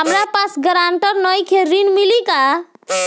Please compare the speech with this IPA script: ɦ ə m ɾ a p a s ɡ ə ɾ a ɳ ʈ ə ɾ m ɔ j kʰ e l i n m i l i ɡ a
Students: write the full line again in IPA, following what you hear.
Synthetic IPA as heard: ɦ ə m ɾ a p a s ɡ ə ɾ a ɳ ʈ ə ɾ n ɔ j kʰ e ɾ i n m i l i k a